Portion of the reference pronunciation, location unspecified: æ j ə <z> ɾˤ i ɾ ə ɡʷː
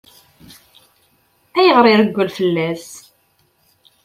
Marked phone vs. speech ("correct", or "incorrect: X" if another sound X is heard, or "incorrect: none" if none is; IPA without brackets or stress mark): incorrect: ʁ